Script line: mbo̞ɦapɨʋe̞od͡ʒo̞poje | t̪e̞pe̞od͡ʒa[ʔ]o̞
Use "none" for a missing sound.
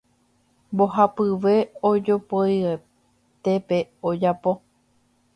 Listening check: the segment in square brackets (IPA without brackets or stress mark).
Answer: p